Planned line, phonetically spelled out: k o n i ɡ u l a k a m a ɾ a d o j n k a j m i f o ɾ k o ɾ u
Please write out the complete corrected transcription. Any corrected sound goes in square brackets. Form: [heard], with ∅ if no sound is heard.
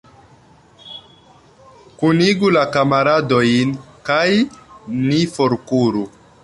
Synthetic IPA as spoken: k [u] n i ɡ u l a k a m a ɾ a d o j n k a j [n] i f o ɾ k [u] ɾ u